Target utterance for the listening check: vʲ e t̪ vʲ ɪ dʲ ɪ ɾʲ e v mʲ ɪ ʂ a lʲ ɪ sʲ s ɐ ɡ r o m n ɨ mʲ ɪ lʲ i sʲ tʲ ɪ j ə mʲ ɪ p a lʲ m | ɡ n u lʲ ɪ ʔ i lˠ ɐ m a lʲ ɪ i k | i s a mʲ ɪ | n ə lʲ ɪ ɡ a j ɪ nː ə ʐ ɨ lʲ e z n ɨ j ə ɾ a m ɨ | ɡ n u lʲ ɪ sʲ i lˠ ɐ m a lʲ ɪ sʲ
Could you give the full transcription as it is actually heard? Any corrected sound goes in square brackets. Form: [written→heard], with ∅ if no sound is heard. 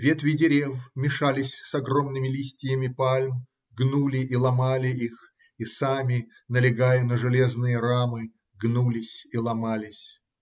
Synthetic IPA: vʲ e t̪ vʲ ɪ dʲ ɪ ɾʲ e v mʲ ɪ ʂ a lʲ ɪ sʲ s ɐ ɡ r o m n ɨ mʲ ɪ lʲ i sʲ tʲ ɪ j ə mʲ ɪ p a lʲ m | ɡ n u lʲ ɪ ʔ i lˠ ɐ m a lʲ ɪ i [k→x] | i s a mʲ ɪ | n ə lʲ ɪ ɡ a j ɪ [nː→n] ə ʐ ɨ lʲ e z n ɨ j ə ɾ a m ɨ | ɡ n u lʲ ɪ sʲ i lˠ ɐ m a lʲ ɪ sʲ